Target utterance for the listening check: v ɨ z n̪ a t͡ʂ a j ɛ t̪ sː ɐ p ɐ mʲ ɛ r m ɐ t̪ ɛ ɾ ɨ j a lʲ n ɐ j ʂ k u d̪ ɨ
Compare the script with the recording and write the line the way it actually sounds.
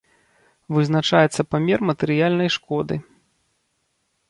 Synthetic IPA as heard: v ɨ z n̪ a t͡ʂ a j ɛ t̪ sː ɐ p a mʲ ɛ r m ɐ t̪ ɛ ɾ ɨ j a lʲ n ɐ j ʂ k ɔ d̪ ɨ